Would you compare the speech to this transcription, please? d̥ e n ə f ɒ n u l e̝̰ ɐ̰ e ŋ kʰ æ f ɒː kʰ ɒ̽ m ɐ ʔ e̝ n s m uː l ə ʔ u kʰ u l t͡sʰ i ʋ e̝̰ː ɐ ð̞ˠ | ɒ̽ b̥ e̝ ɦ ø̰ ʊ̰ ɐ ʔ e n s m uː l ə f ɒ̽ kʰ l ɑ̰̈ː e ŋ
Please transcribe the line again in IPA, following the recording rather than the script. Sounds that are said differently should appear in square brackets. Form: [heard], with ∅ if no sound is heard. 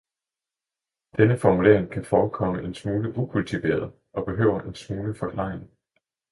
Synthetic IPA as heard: d̥ e n ə f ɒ [m] u l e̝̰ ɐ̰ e ŋ kʰ æ f ɒː kʰ ɒ̽ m [ə] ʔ e̝ n s m uː l ə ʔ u kʰ u l t͡sʰ i ʋ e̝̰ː ɐ ð̞ˠ | ɒ̽ b̥ e̝ ɦ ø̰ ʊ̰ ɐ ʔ e n s m uː l ə f ɒ̽ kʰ l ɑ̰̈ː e ŋ